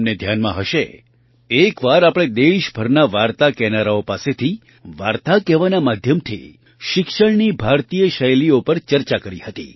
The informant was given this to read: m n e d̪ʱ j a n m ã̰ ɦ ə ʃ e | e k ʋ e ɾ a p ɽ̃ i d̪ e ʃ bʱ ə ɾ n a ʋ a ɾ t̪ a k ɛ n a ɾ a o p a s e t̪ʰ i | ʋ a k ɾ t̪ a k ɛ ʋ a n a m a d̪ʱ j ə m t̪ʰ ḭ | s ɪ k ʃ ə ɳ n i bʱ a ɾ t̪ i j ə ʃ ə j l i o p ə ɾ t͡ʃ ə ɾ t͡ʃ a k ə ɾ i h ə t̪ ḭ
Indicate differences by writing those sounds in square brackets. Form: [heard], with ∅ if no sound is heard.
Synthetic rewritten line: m n e d̪ʱ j a n m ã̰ ɦ ə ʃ e | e k ʋ [a] ɾ a p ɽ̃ [e] d̪ e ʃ bʱ ə ɾ n a ʋ a ɾ t̪ a k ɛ n a ɾ a o p a s e t̪ʰ i | ʋ a [∅] ɾ t̪ a k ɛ ʋ a n a m a d̪ʱ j ə m t̪ʰ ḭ | [ʃ] ɪ k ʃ ə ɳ n i bʱ a ɾ t̪ i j ə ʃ ə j l i o p ə ɾ t͡ʃ ə ɾ t͡ʃ a k ə ɾ i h ə t̪ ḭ